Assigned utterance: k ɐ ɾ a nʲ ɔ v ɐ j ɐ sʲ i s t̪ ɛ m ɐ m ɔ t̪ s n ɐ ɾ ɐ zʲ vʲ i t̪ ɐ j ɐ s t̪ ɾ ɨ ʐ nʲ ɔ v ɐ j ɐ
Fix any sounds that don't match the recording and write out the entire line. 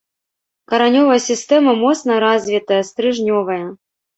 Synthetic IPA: k ɐ ɾ a nʲ ɔ v ɐ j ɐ sʲ i s t̪ ɛ m ɐ m ɔ t̪ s n ɐ ɾ a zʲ vʲ i t̪ ɐ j ɐ s t̪ ɾ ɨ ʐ nʲ ɔ v ɐ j ɐ